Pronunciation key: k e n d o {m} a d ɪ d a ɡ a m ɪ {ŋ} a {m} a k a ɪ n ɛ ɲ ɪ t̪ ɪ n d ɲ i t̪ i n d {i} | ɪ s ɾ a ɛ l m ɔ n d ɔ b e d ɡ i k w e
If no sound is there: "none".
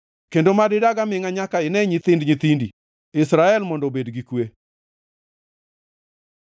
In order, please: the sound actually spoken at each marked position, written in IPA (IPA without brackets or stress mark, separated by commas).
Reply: m, ŋ, ɲ, i